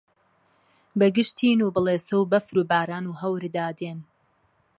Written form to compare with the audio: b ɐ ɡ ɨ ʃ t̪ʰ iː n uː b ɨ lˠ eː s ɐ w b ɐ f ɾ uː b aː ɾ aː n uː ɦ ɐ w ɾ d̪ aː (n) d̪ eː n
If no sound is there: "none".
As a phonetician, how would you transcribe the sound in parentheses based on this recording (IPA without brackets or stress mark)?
none